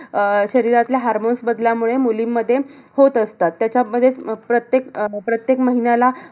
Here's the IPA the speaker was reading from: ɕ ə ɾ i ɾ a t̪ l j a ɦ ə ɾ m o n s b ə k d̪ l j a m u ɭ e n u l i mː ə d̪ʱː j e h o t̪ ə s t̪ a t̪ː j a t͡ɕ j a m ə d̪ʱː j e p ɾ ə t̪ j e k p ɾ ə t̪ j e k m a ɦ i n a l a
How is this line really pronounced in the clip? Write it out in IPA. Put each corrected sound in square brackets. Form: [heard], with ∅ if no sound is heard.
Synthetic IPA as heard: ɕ ə ɾ i ɾ a t̪ l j a ɦ [a] ɾ m o n s b ə [∅] d̪ l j a m u ɭ e [m] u l i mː ə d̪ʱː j e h o t̪ ə s t̪ a t̪ː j a t͡ɕ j a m ə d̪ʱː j e p ɾ ə t̪ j e k p ɾ ə t̪ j e k m [ə] ɦ i n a l a